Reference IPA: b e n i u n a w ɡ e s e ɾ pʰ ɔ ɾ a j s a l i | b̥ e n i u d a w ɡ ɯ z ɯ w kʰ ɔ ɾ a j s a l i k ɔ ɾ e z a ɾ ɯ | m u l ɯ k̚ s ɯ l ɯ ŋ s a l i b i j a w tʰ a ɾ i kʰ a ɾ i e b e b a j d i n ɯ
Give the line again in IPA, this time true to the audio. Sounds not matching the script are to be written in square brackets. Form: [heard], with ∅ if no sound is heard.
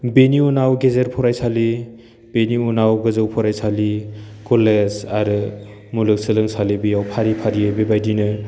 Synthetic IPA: b e n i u n a w ɡ e [z] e ɾ pʰ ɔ ɾ a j s a l i | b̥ e n i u [n] a w ɡ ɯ z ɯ w [pʰ] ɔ ɾ a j s a l i k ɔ [l] e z a ɾ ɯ | m u l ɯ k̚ s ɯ l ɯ ŋ s a l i b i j a w [pʰ] a ɾ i [pʰ] a ɾ i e b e b a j d i n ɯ